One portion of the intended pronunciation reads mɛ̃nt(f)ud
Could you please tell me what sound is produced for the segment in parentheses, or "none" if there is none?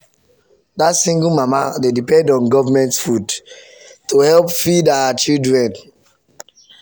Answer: f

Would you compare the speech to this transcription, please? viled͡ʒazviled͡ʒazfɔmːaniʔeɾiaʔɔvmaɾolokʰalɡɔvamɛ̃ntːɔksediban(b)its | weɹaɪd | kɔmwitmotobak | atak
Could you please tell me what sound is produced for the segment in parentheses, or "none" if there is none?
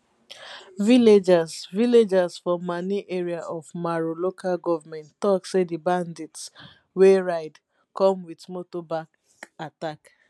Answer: d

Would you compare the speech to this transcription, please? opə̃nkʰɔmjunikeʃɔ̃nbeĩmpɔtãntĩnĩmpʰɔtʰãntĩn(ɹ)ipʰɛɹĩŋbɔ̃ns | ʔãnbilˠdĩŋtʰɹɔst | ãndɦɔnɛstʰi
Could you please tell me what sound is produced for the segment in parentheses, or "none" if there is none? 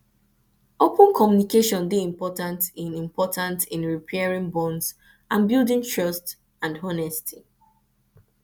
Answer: ɹ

